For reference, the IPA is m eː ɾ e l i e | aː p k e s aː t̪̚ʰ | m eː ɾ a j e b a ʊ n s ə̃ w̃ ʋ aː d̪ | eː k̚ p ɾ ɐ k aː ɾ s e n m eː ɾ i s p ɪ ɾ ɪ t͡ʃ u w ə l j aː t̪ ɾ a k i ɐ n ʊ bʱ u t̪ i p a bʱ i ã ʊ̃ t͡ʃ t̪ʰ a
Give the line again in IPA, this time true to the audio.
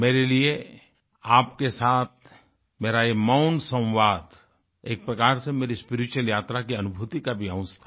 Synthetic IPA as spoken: m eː ɾ e l i e | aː p k e s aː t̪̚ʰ | m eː ɾ a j e m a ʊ n s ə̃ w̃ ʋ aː d̪ | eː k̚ p ɾ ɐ k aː ɾ s e m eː ɾ i s p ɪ ɾ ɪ t͡ʃ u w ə l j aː t̪ ɾ a k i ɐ n ʊ bʱ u t̪ i k a bʱ i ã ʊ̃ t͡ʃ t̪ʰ a